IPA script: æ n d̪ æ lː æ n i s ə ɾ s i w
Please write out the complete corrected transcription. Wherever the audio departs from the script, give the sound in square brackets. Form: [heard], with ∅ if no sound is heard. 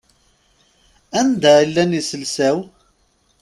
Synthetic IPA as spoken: æ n d̪ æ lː æ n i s ə [l] s [æ] w